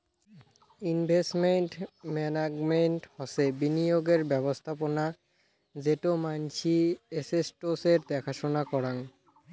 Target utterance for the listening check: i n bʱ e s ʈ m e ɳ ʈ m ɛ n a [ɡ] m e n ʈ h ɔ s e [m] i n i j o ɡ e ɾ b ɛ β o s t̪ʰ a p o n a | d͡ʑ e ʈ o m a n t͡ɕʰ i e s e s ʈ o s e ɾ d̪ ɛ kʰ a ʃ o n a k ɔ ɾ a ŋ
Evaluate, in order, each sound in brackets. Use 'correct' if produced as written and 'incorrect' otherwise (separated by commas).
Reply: correct, incorrect